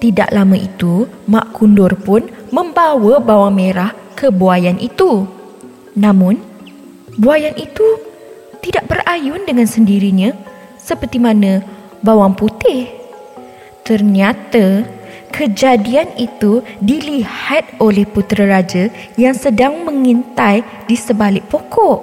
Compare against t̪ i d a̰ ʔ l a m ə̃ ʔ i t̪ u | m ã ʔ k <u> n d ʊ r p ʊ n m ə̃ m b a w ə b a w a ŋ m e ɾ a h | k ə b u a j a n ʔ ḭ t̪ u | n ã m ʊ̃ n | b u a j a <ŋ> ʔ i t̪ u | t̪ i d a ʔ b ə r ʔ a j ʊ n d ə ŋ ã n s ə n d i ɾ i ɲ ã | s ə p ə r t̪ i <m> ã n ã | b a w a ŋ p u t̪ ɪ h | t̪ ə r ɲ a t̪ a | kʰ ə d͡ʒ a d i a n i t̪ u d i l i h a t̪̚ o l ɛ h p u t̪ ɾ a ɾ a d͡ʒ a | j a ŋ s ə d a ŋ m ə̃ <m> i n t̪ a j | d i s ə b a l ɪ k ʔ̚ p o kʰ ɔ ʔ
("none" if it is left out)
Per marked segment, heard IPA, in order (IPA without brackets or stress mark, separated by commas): u, n, m, ŋ